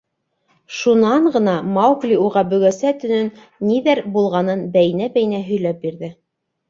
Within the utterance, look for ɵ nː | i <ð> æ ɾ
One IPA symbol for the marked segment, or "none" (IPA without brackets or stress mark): ð